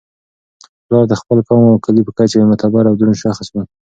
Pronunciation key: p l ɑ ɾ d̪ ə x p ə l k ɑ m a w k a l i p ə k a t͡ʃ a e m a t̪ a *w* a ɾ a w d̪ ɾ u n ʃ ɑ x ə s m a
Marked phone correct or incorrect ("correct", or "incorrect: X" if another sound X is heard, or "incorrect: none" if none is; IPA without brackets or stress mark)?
incorrect: b